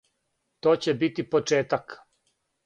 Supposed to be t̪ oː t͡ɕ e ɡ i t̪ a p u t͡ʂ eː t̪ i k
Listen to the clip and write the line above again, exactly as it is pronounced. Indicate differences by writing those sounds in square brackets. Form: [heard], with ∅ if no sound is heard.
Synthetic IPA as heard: t̪ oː t͡ɕ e [b] i t̪ [i] p [o] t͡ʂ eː t̪ [a] k